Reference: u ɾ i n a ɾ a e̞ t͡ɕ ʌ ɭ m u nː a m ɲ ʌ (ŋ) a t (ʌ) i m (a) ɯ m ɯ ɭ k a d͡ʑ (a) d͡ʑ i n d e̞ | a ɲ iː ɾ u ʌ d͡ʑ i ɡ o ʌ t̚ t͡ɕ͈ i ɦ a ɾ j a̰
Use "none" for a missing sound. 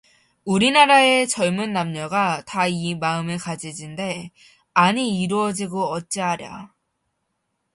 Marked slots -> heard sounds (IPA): ɡ, a, a, i

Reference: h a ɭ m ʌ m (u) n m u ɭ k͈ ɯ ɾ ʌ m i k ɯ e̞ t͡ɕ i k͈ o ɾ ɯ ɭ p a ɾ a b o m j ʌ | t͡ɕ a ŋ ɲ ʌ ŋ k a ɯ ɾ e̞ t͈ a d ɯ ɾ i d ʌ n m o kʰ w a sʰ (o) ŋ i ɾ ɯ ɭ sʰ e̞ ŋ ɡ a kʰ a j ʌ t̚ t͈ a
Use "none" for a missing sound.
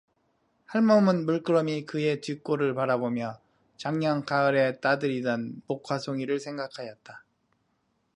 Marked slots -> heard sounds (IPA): ɯ, o

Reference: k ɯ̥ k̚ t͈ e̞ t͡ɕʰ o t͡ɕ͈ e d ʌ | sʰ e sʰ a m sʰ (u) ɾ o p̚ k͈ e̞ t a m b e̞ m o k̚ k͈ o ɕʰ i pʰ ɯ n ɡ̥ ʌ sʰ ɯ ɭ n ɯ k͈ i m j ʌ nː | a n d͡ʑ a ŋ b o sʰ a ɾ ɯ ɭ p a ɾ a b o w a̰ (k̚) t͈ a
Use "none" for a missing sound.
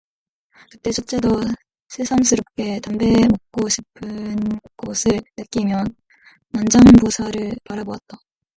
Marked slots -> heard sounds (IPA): ɯ, t̚

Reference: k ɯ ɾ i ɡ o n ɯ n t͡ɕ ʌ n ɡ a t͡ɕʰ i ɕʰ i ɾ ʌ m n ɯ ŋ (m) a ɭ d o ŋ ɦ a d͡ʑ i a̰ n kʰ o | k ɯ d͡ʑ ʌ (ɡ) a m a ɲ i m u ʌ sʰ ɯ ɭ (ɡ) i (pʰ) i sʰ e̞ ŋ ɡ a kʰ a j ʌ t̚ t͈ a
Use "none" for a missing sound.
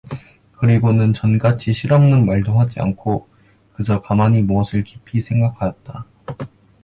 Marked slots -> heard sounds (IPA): m, k, k, pʰ

